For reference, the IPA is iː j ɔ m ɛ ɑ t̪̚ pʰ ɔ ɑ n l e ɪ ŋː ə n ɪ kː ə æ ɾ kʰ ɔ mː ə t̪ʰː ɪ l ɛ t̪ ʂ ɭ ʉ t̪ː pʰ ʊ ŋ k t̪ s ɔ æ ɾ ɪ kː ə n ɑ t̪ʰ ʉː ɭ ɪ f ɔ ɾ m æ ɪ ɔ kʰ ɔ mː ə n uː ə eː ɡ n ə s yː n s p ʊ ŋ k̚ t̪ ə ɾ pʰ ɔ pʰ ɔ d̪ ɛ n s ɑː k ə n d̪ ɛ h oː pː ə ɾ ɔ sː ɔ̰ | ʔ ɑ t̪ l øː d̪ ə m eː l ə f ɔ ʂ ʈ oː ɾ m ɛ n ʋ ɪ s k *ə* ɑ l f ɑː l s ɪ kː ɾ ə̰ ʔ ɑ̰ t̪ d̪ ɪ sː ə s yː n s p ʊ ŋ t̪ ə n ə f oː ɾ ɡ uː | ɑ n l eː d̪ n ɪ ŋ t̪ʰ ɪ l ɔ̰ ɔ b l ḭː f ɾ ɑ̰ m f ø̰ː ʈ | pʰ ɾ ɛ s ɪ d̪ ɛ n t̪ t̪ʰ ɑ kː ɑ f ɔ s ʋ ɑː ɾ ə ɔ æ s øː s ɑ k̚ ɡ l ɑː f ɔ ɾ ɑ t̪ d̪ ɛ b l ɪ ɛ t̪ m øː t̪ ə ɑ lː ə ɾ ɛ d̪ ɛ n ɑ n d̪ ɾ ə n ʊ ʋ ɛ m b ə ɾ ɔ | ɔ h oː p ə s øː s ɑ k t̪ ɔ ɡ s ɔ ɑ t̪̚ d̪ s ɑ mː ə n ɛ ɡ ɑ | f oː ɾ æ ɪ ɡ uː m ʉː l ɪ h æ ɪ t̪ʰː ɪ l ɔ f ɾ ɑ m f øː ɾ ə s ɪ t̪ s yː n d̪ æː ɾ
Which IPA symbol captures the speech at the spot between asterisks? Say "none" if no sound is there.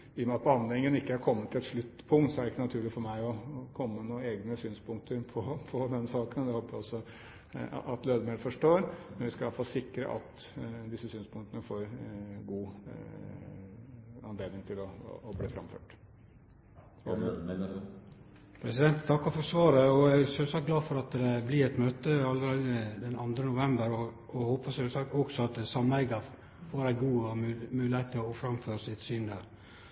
ɑ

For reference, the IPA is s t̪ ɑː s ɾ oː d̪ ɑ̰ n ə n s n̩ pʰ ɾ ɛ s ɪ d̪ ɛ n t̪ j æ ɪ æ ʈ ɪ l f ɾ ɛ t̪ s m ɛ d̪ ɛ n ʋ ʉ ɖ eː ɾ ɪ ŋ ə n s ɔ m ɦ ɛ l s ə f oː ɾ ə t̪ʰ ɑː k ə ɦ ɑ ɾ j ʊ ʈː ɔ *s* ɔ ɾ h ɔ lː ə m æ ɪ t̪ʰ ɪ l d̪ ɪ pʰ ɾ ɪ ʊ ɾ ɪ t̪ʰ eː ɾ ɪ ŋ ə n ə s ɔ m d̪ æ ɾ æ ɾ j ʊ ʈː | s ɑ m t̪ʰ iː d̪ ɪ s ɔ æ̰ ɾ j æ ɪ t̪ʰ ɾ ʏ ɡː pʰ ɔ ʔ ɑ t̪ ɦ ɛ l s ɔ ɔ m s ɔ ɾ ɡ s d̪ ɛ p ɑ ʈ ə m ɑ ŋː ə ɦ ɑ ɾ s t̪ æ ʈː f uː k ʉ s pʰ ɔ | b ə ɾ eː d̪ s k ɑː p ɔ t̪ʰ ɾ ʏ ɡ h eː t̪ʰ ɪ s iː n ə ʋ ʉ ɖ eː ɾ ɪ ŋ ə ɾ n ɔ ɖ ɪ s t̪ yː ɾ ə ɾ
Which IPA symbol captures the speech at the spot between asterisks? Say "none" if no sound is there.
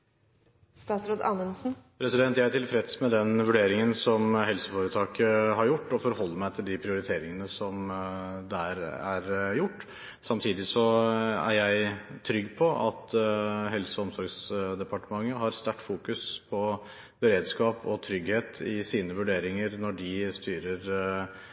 f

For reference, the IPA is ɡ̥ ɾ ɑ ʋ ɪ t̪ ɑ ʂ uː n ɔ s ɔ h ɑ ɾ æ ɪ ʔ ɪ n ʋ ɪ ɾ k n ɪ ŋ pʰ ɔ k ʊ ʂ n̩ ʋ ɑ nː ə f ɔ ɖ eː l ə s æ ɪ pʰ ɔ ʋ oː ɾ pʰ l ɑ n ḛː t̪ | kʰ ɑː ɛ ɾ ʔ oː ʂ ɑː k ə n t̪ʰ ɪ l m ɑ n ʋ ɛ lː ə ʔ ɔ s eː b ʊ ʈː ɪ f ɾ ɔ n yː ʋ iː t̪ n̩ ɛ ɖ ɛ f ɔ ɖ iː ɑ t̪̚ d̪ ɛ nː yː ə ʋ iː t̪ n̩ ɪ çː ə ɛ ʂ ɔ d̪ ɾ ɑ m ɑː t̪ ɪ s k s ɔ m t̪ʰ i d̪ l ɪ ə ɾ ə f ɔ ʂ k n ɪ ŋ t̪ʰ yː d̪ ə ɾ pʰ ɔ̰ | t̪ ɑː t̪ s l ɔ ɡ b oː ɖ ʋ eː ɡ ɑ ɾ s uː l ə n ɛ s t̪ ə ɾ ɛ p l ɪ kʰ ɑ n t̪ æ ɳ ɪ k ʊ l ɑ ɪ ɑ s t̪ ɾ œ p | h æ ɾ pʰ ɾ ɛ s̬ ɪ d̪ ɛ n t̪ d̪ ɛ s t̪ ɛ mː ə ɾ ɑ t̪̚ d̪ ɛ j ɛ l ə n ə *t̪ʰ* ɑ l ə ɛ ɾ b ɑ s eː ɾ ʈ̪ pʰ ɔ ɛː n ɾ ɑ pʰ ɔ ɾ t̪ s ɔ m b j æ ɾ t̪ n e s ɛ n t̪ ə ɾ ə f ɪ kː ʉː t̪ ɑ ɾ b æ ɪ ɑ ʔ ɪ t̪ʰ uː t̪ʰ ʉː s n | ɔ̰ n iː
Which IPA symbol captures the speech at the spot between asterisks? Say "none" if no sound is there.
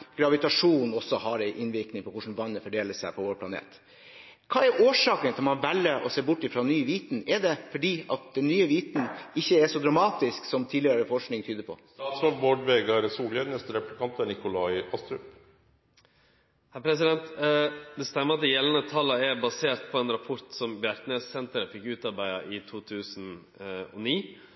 t̪ʰ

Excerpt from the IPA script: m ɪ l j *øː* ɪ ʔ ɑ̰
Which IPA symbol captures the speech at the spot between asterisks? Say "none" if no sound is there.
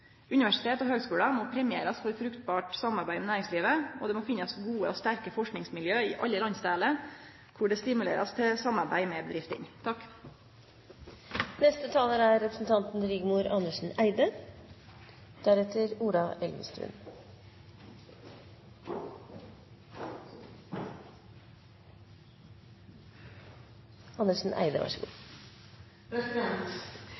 øː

